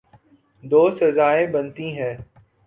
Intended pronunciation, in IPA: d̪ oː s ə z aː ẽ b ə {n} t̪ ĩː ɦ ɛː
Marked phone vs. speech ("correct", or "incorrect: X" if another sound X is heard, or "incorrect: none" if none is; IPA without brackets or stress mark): correct